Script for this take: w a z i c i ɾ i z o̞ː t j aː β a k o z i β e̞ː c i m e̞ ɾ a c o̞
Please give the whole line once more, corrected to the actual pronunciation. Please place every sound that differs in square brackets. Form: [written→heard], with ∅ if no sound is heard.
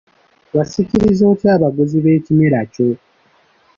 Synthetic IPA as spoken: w a [z→s] i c i ɾ i z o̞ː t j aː β a [k→ɡ] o z i β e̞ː c i m e̞ ɾ a c o̞